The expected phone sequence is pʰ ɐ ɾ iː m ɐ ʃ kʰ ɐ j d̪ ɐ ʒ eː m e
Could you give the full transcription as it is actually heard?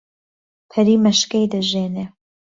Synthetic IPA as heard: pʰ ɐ ɾ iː m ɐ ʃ k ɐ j d̪ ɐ ʒ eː n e